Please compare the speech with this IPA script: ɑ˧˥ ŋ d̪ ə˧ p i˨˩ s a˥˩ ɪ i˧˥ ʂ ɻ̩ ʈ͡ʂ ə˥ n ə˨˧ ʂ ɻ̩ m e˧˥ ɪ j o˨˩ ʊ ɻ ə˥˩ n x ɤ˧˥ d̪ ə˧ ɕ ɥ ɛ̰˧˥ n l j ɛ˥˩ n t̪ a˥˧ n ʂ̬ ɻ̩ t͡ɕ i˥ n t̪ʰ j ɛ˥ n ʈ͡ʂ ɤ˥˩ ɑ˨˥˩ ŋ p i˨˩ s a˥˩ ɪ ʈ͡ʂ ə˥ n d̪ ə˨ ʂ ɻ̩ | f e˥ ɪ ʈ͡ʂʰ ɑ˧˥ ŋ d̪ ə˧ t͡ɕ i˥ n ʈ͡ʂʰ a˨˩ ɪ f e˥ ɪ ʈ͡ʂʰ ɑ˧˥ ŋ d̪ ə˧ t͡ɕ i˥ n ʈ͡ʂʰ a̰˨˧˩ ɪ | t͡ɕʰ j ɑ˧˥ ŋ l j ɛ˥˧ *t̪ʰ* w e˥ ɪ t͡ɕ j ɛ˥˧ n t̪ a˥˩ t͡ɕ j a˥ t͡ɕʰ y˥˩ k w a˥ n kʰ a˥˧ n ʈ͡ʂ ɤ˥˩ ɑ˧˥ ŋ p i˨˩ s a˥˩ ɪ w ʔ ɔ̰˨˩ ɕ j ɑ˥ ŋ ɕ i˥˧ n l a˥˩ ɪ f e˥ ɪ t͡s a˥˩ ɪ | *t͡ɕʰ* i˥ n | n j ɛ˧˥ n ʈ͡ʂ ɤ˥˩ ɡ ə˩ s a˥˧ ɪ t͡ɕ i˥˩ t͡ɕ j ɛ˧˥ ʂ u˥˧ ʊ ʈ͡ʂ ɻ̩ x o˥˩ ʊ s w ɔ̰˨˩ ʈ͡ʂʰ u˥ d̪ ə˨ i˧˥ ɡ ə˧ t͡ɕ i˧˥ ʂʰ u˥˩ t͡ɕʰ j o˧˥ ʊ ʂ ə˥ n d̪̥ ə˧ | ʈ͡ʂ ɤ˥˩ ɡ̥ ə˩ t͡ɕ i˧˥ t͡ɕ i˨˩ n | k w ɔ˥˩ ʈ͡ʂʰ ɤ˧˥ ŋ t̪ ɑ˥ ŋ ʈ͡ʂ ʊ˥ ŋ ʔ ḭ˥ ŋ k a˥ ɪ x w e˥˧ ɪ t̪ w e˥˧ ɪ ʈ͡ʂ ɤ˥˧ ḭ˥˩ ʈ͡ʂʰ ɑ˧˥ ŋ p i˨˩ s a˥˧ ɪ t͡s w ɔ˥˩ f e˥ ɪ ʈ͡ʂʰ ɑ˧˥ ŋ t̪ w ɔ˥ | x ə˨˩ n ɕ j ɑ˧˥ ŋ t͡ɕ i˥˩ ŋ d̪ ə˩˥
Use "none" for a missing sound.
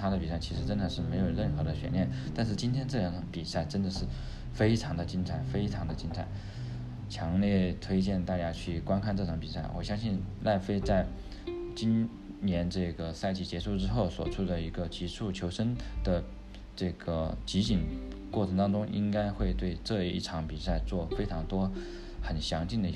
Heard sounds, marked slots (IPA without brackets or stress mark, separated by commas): t̪ʰ, t͡ɕ